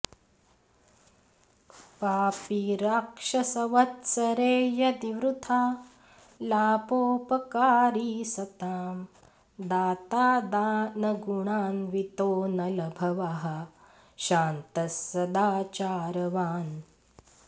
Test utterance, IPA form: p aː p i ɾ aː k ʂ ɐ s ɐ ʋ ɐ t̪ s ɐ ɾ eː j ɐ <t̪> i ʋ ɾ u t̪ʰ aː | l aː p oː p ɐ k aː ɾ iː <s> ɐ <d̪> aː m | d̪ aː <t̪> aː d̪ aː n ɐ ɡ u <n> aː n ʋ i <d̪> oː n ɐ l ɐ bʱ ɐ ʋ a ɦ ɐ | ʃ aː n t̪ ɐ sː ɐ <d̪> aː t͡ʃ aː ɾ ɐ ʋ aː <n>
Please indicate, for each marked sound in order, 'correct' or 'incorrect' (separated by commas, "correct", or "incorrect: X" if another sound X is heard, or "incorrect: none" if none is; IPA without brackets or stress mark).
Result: incorrect: d̪, correct, incorrect: t̪, correct, incorrect: ɳ, incorrect: t̪, correct, correct